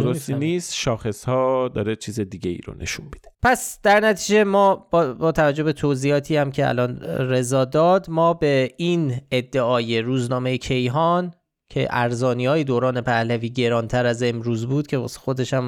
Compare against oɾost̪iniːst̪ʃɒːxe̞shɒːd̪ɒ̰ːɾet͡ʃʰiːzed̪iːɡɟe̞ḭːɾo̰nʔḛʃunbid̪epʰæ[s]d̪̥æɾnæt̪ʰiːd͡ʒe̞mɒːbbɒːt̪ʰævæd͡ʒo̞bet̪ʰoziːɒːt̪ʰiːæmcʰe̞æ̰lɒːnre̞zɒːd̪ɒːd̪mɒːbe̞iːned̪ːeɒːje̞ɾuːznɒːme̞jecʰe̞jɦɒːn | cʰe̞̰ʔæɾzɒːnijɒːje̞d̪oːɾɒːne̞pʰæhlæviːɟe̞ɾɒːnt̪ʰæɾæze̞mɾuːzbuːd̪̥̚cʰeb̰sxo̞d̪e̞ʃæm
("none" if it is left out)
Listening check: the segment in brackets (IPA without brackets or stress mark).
s